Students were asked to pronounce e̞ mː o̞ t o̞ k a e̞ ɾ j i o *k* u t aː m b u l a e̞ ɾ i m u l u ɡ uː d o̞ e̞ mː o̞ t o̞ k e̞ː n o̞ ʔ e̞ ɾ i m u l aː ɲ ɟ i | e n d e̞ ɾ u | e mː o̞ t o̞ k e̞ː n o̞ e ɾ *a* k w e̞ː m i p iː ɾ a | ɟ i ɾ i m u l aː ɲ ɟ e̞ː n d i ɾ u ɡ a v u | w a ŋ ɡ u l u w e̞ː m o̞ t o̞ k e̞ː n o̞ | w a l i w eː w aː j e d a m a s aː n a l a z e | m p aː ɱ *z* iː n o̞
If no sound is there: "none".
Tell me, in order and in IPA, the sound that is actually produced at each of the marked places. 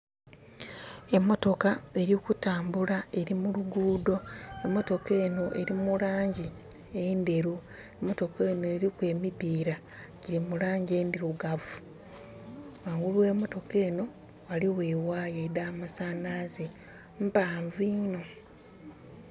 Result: k, i, v

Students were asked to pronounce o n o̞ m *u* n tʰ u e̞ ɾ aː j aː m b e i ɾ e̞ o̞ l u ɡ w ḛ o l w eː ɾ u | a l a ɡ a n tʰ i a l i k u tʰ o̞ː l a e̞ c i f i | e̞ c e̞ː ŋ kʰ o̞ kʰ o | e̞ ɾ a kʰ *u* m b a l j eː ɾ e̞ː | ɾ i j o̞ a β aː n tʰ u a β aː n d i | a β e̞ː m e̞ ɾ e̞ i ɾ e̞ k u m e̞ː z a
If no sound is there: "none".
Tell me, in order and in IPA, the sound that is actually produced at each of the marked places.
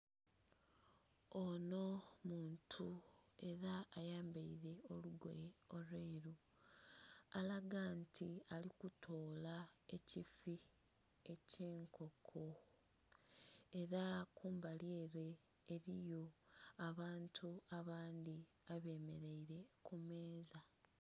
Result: uː, uː

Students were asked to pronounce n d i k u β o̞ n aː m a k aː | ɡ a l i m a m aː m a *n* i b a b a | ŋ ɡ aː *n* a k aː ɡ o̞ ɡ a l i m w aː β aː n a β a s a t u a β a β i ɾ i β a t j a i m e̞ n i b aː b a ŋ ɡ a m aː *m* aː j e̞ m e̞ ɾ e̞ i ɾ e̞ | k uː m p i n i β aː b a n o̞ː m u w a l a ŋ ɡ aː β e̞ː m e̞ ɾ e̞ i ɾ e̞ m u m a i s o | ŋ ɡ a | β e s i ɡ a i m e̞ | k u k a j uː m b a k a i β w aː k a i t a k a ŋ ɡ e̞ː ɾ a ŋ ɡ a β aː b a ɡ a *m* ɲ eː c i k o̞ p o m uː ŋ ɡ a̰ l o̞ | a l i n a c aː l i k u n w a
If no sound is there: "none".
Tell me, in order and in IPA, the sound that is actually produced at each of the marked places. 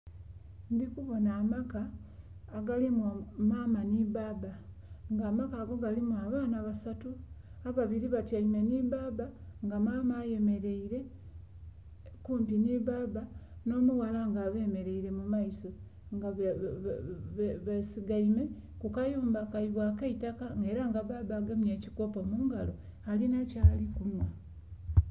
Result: n, m, m, m

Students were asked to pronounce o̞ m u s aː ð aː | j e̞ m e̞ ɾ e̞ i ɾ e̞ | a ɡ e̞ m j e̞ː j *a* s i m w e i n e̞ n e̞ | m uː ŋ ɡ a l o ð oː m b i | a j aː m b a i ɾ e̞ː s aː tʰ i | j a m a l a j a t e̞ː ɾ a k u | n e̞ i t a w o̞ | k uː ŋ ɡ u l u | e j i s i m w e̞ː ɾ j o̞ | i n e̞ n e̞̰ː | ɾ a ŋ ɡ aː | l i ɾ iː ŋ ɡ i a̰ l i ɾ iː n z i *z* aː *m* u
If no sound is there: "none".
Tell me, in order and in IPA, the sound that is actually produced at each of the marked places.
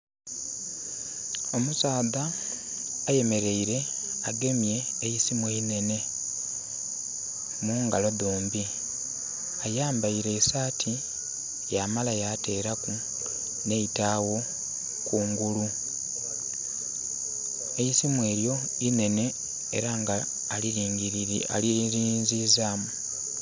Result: i, z, m

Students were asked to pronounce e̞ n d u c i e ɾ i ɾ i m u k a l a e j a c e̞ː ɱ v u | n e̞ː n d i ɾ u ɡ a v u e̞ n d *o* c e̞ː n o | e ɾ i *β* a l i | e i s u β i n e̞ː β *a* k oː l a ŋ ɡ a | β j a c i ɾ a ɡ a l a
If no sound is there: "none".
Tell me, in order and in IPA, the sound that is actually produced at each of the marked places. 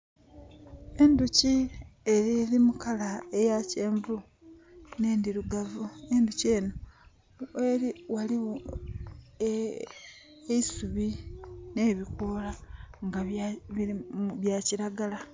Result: u, w, i

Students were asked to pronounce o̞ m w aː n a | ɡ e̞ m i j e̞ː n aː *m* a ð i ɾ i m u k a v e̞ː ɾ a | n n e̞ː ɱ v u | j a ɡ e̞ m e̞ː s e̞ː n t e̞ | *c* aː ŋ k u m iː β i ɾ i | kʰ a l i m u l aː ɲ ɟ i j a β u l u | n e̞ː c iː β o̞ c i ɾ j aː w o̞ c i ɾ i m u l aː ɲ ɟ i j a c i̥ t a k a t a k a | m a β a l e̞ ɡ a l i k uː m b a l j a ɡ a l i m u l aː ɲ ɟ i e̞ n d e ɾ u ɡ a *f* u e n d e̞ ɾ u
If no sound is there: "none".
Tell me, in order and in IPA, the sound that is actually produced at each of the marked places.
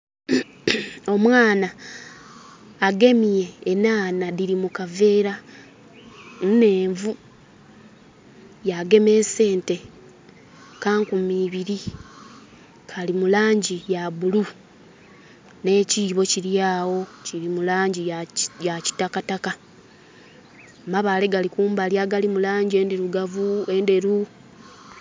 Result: n, k, v

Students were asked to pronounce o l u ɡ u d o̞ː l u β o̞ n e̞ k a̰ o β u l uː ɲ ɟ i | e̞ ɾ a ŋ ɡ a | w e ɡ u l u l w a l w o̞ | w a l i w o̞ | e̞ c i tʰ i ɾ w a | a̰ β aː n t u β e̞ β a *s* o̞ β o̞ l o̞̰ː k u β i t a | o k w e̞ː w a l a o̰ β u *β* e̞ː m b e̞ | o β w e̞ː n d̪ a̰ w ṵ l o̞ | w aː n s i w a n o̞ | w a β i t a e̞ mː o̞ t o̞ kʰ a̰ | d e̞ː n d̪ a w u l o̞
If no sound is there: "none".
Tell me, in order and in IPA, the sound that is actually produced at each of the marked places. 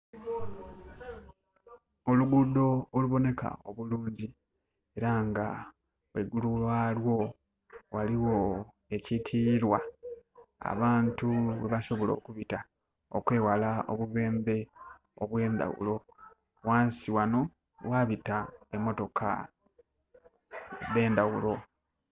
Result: s, β

